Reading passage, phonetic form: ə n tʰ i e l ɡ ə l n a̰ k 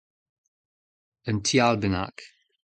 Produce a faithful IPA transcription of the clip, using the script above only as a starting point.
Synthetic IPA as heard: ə n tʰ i a l b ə n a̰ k